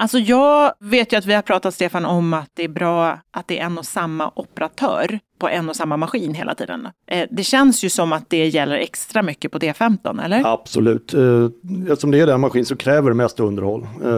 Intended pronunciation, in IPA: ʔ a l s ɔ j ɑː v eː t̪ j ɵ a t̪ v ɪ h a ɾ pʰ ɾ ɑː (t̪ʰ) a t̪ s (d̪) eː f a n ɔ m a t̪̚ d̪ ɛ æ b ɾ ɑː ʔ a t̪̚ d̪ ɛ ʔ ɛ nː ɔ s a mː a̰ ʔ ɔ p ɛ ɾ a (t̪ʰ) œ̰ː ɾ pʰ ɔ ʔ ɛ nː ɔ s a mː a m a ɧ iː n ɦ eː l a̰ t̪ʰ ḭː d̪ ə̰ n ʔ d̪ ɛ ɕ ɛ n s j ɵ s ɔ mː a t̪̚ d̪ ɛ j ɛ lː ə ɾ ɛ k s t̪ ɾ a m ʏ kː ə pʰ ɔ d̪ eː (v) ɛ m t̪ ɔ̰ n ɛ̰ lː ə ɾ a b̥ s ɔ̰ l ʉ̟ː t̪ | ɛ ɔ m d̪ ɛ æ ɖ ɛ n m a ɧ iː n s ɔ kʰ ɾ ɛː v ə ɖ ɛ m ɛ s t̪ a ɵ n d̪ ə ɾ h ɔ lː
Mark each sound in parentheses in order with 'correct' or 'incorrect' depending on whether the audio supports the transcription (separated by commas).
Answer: incorrect, incorrect, correct, incorrect